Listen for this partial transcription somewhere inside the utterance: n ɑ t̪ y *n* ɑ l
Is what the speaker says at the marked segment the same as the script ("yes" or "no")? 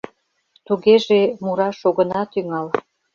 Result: no